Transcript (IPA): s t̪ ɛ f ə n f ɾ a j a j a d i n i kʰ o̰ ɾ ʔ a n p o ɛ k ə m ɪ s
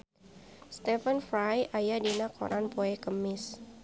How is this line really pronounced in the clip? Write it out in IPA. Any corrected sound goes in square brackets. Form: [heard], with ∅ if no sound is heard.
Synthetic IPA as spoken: s t̪ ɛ f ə n f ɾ a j a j a d i n [a] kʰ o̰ ɾ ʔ a n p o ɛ k ə m ɪ s

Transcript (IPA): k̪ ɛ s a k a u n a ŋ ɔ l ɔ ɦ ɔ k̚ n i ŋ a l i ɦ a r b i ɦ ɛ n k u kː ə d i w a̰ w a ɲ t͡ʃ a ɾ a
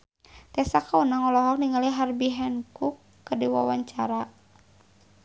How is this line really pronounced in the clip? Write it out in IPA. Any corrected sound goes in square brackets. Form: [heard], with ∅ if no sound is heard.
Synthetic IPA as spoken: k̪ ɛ s a k a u n a ŋ ɔ l ɔ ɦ ɔ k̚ n i ŋ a l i ɦ a r b i ɦ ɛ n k u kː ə d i w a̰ w a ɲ t͡ʃ a ɾ a

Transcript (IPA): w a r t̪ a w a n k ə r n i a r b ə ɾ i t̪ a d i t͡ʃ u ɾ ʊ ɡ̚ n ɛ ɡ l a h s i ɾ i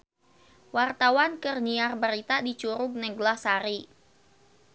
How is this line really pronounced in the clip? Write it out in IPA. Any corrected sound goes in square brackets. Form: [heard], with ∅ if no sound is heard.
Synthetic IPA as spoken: w a r t̪ a w a n k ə r n i a r b ə ɾ i t̪ a d i t͡ʃ u ɾ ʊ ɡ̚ n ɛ ɡ l a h s [a] ɾ i

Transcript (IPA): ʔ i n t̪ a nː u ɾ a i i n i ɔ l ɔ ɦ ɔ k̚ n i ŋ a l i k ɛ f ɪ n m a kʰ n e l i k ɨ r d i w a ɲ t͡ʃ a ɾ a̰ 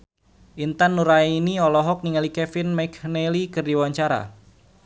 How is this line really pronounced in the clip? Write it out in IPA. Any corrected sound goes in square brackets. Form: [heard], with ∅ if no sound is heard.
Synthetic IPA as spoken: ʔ i n t̪ a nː u ɾ a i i n i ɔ l ɔ ɦ ɔ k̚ n i ŋ a l i k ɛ f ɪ n m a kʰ n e l i k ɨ r d i w a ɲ t͡ʃ a ɾ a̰

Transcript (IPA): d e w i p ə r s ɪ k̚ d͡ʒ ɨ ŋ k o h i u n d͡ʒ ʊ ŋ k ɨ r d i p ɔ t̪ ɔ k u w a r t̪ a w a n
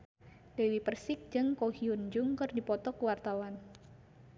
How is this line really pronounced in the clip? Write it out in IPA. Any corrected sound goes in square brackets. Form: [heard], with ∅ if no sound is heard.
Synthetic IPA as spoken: d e w i p ə r s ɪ k̚ d͡ʒ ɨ ŋ k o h i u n d͡ʒ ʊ ŋ k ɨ r d i p ɔ t̪ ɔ k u w a r t̪ a w a n

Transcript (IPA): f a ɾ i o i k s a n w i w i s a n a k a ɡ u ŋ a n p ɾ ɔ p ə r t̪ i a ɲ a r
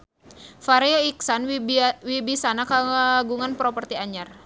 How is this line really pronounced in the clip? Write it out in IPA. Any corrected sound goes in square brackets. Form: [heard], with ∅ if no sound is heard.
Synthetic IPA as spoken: f a ɾ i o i k s a n w i [b] i s a n a k a ɡ u ŋ a n p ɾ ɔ p ə r t̪ i a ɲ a r

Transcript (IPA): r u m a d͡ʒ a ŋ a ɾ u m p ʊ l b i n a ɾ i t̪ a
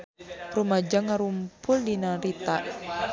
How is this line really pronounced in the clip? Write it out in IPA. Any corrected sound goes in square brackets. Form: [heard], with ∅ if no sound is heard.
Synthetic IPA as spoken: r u m a d͡ʒ a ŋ a ɾ u m p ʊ l [d] i n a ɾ i t̪ a

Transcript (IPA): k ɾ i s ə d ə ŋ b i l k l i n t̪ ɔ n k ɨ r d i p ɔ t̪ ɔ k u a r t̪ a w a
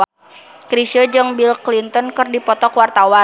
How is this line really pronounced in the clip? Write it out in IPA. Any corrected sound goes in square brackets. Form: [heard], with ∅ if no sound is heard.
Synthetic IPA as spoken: k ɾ i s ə [d͡ʒ] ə ŋ b i l k l i n t̪ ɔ n k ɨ r d i p ɔ t̪ ɔ k [w] a r t̪ a w a

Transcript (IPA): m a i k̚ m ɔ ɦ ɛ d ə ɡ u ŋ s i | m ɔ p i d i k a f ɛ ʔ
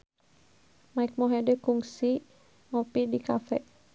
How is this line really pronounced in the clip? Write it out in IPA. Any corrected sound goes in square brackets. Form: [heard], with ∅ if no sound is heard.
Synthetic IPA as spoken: m a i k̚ m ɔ ɦ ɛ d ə [k] u ŋ s i | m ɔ p i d i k a f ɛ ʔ

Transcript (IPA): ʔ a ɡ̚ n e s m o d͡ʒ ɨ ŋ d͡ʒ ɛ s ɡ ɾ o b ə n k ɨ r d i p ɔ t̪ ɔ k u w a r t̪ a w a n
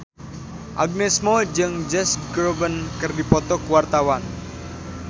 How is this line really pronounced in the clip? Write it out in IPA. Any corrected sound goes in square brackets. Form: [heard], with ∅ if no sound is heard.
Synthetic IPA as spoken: ʔ a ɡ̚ n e s m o d͡ʒ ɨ ŋ d͡ʒ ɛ s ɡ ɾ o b ə n k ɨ r d i p ɔ t̪ ɔ k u w a r t̪ a w a n

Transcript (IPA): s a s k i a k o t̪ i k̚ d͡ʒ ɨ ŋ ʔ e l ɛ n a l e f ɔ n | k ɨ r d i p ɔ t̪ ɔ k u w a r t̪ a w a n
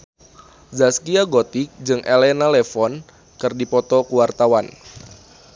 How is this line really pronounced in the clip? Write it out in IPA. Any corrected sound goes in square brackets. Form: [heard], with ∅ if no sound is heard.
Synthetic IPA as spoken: [z] a s k i a [ɡ] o t̪ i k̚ d͡ʒ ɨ ŋ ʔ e l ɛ n a l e f ɔ n | k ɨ r d i p ɔ t̪ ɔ k u w a r t̪ a w a n

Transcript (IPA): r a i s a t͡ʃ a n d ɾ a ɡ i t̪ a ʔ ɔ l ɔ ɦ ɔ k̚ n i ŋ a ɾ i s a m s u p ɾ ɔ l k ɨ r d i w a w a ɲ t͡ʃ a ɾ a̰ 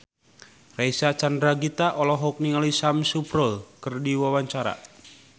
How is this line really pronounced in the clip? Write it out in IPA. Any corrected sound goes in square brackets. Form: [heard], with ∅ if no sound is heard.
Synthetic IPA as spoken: r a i s a t͡ʃ a n d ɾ a ɡ i t̪ a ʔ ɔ l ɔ ɦ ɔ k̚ n i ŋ a [l] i s a m s u p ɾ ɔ l k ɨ r d i w a w a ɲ t͡ʃ a ɾ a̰

